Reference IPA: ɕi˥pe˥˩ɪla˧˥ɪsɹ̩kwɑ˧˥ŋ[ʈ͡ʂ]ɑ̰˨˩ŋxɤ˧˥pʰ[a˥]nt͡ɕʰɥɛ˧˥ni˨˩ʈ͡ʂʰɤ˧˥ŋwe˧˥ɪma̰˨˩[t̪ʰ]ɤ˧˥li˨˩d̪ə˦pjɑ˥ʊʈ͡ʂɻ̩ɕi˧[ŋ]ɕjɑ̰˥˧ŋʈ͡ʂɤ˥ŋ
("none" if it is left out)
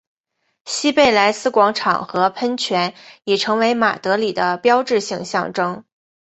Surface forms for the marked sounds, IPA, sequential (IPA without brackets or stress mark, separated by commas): ʈ͡ʂʰ, ə˥, t̪, ŋ